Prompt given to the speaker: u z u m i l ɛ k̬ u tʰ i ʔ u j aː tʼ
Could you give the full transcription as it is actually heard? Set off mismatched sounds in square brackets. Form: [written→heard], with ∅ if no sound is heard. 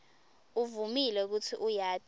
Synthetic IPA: u [z→v] u m i l ɛ k̬ u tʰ i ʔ u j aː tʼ